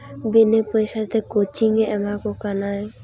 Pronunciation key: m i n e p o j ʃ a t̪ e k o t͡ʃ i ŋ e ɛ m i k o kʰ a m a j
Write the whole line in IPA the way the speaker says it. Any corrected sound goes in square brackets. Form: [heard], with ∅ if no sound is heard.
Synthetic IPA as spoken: [b] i n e p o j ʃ a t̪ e k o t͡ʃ i ŋ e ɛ m [a] k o [k] a [n] a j